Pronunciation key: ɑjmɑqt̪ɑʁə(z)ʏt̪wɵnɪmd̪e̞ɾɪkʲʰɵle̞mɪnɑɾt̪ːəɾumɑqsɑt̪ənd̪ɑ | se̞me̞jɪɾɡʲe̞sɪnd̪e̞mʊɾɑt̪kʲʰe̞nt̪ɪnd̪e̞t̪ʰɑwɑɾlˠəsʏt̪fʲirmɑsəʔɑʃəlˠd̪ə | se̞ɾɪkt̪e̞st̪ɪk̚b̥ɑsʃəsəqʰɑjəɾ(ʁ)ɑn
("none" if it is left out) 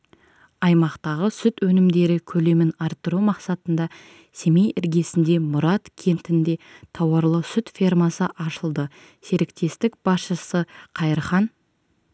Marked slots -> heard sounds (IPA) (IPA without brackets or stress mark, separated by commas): s, χ